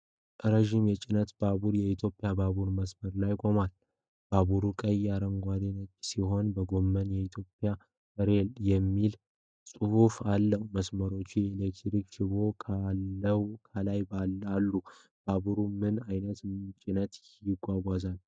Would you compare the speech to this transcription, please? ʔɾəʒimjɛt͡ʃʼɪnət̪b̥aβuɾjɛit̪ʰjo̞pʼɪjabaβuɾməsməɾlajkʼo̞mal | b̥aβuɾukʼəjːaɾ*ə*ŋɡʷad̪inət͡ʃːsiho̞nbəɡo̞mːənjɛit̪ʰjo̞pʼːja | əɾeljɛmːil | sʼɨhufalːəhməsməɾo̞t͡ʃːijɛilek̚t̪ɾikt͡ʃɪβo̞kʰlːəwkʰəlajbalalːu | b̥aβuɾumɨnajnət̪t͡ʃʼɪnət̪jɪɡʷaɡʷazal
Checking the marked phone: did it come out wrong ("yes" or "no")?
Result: no